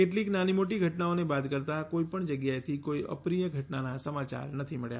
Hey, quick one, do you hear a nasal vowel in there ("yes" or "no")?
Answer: no